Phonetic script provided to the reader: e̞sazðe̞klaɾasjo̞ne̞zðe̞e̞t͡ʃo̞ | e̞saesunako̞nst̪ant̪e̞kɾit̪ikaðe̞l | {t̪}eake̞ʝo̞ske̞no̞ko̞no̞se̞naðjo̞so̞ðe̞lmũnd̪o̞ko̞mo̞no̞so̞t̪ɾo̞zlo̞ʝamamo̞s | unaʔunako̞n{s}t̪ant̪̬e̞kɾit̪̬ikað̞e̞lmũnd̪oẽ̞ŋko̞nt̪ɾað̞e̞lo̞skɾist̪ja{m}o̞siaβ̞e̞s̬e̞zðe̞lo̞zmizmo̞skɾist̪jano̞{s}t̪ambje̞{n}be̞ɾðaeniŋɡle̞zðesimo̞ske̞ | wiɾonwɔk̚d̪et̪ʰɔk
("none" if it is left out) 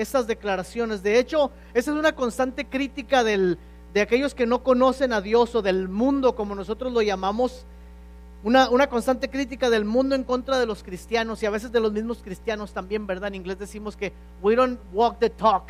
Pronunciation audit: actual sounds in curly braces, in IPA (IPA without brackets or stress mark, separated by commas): d̪, s, n, s, m